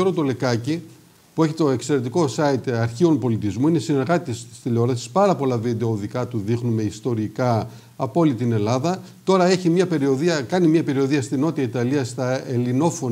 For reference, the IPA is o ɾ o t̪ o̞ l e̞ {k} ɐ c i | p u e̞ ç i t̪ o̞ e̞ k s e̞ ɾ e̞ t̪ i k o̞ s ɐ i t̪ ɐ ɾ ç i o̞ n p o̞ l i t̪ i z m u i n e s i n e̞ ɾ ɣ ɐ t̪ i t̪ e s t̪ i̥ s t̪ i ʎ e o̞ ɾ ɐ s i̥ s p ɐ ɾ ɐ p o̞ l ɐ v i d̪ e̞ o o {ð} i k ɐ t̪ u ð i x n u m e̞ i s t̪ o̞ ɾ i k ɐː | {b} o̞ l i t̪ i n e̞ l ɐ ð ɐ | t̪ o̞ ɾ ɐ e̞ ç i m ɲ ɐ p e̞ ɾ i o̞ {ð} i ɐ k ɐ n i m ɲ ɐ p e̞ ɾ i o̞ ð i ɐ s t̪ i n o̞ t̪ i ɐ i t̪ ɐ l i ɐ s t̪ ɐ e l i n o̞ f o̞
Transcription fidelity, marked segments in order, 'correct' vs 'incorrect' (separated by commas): correct, correct, incorrect, correct